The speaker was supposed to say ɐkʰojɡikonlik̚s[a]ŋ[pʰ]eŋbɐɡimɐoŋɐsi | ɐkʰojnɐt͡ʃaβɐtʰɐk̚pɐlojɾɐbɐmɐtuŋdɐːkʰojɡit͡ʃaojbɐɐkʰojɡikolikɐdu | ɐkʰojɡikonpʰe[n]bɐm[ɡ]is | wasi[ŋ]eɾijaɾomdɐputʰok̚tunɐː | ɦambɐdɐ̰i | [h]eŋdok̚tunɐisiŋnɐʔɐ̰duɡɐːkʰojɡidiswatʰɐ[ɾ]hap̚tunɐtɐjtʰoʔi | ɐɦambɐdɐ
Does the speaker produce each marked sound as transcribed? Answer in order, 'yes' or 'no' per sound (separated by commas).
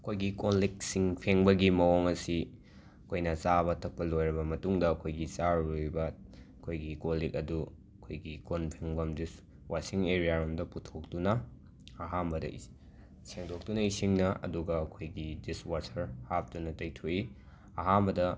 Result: no, yes, no, no, yes, no, yes